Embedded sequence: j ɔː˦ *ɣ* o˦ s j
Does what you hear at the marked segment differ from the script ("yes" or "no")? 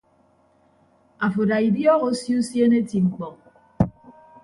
no